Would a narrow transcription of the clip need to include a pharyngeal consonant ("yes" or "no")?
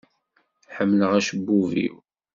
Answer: yes